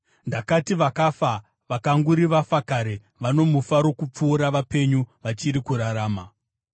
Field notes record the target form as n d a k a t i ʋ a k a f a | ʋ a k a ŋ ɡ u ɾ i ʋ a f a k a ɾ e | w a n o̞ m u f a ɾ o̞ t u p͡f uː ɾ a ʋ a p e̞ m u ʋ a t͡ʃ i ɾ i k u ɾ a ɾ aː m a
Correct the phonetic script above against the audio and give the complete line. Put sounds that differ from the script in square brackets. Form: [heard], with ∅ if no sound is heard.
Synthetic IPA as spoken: n d a k a t i ʋ a k a f a | ʋ a k a ŋ ɡ u ɾ i ʋ a f a k a ɾ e | [ʋ] a n o̞ m u f a ɾ o̞ [k] u p͡f uː ɾ a ʋ a p e̞ [ɲ] u ʋ a t͡ʃ i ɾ i k u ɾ a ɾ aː m a